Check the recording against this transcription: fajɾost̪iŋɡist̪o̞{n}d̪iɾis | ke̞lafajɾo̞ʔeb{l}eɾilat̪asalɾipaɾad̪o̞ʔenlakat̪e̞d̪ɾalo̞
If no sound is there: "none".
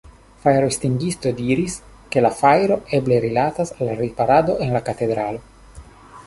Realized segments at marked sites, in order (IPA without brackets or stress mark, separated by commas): none, l